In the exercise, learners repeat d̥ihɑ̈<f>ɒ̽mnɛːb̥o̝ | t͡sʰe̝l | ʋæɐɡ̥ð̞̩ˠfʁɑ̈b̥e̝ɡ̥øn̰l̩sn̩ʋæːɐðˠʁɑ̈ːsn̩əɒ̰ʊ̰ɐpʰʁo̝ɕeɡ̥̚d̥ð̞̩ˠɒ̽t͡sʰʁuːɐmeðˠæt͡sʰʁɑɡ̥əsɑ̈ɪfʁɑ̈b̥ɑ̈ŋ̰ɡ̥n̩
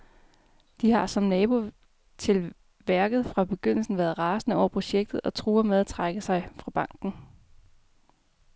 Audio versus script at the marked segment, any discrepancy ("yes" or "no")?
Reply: yes